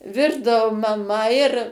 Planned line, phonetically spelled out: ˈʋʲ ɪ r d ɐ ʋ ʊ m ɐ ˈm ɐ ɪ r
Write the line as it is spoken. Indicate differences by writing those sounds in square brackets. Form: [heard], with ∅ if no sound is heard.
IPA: ˈʋʲ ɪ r d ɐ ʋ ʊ m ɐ ˈm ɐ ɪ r